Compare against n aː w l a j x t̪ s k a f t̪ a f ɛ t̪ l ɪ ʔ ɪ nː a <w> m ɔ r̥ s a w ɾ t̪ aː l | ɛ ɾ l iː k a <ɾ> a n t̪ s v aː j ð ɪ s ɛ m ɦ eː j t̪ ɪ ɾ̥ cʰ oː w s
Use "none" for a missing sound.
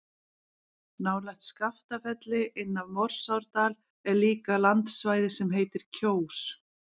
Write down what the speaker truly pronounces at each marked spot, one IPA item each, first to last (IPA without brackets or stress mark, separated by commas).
v, l